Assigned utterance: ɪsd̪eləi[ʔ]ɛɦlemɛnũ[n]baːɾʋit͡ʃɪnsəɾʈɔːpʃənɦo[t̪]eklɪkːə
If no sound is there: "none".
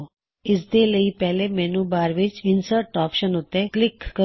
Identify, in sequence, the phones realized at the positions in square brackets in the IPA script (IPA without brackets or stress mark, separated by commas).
p, none, t̪